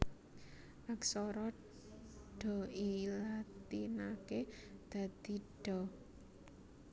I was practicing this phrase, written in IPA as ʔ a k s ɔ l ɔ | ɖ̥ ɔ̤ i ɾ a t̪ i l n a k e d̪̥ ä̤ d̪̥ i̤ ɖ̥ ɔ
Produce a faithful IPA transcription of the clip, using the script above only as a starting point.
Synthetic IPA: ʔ a k s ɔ ɾ ɔ | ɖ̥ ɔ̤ i l a t̪ i n a k e d̪̥ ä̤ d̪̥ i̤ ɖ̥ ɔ